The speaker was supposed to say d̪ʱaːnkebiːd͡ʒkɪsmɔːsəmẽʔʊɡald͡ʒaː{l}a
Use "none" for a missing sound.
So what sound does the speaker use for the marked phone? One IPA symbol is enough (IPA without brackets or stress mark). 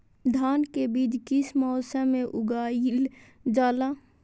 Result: l